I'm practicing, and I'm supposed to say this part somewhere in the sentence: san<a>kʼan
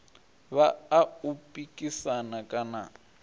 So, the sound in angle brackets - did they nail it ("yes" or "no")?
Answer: yes